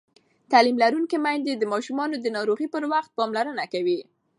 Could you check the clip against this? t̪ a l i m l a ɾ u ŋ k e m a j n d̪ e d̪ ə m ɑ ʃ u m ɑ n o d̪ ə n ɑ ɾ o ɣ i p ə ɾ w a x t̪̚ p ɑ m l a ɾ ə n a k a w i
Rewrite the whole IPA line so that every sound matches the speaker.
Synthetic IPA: t̪ a l i m l a ɾ u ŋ k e m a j n d̪ e d̪ ə m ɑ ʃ u m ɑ n o d̪ ə n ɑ ɾ o ɣ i p ə ɾ w a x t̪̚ p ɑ m l a ɾ ə n a k a w i